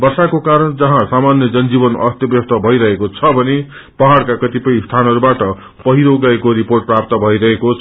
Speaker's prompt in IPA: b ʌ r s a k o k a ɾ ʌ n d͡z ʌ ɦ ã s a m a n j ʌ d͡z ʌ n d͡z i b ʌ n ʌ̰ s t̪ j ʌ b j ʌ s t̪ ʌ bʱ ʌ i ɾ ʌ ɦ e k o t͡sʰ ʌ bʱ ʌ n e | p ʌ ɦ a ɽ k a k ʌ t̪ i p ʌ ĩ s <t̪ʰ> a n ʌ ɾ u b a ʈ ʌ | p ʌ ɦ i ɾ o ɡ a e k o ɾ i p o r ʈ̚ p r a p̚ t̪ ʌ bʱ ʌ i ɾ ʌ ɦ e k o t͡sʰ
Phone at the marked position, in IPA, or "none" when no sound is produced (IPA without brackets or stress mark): t̪ʰ